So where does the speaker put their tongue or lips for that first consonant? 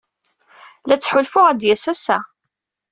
tongue tip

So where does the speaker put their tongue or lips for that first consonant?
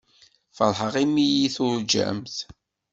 lips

